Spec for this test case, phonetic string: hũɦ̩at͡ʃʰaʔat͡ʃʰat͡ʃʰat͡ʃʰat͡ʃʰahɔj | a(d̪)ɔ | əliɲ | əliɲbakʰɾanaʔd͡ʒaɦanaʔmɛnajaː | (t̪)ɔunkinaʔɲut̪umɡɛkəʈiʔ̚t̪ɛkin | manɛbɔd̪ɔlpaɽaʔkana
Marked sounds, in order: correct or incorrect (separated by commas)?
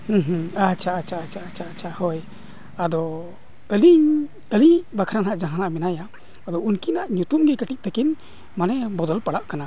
correct, incorrect